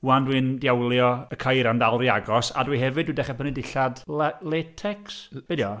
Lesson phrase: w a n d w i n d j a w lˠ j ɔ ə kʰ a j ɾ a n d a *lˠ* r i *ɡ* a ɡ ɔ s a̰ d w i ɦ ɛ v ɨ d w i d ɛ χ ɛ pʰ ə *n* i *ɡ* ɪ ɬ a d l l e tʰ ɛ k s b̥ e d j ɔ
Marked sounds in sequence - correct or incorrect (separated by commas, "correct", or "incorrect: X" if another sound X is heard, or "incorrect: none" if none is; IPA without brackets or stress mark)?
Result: correct, incorrect: none, correct, incorrect: d